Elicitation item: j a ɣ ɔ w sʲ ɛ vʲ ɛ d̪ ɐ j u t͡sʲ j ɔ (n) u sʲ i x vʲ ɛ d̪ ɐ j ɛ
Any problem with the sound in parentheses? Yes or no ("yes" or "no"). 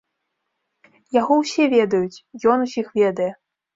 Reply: no